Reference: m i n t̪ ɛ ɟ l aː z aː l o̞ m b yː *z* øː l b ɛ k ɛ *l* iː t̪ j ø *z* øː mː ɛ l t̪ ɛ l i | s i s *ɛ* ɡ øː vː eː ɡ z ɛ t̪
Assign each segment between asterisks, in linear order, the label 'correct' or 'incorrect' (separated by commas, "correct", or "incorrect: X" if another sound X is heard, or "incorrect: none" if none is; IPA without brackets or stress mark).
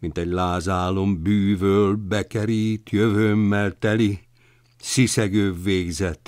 incorrect: v, incorrect: ɾ, incorrect: v, correct